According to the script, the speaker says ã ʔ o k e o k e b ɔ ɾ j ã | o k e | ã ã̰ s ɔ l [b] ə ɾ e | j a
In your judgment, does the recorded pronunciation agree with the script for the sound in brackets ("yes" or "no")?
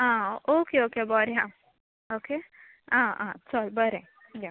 yes